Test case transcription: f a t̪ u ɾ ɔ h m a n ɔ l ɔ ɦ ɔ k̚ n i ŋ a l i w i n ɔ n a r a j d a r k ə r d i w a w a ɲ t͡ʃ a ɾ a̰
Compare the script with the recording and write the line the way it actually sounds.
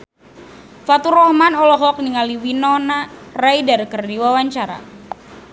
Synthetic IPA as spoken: f a t̪ u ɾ ɔ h m a n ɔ l ɔ ɦ ɔ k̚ n i ŋ a l i w i n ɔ n a r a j d a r k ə r d i w a w a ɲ t͡ʃ a ɾ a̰